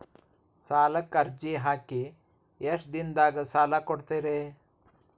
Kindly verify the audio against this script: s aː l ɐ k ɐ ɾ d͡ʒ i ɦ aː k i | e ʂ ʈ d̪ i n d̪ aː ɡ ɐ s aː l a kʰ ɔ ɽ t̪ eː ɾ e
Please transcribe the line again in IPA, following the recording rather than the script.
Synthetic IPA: s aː l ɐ k ɐ ɾ d͡ʒ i ɦ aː k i | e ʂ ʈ d̪ i n d̪ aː ɡ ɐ s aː l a k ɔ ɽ t̪ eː ɾ e